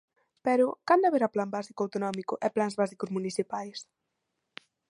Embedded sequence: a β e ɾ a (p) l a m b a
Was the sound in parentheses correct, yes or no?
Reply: yes